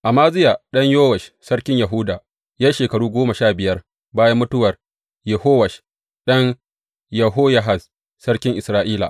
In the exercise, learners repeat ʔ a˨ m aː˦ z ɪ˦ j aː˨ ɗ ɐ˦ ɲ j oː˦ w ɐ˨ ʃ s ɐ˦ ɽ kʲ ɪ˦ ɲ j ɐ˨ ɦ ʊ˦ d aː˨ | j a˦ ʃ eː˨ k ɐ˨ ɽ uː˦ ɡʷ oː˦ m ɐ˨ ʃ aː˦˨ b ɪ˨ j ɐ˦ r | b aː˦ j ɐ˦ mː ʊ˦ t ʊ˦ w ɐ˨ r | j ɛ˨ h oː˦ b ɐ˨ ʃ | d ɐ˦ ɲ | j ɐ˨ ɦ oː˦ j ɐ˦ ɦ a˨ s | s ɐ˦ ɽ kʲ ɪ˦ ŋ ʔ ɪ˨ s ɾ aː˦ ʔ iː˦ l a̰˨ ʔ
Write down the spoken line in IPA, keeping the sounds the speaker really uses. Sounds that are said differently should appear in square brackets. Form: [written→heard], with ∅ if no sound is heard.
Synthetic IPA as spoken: ʔ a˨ m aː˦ z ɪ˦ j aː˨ ɗ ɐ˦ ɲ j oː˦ w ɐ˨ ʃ s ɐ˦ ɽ kʲ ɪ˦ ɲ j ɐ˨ ɦ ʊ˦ d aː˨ | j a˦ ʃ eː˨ k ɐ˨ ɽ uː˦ ɡʷ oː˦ m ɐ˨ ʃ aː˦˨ b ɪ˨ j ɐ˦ r | b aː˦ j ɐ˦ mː ʊ˦ t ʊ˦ w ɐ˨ r | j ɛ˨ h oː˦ [b→w] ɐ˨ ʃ | [d→ɗ] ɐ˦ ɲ | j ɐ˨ ɦ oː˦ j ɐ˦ ɦ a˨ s | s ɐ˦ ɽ kʲ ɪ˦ ŋ ʔ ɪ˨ s ɾ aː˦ ʔ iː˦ l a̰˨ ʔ